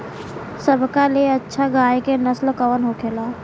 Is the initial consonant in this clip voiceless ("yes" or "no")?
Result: yes